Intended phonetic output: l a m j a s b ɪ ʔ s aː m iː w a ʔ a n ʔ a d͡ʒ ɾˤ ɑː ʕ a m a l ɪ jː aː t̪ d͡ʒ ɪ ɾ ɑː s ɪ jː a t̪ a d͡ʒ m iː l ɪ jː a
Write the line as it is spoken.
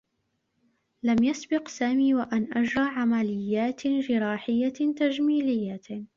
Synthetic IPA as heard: l a m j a s b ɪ q s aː m iː w a ʔ a n ʔ a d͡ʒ ɾˤ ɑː ʕ a m a l ɪ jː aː t̪ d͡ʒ ɪ ɾ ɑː ħ ɪ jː a t̪ a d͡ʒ m iː l ɪ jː a